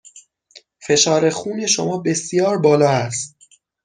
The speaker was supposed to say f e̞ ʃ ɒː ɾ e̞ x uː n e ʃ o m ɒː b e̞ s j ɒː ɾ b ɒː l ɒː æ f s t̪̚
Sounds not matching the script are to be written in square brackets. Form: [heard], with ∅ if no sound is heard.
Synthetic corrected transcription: f e̞ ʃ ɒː ɾ e̞ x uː n e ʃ o m ɒː b e̞ s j ɒː ɾ b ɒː l ɒː æ [∅] s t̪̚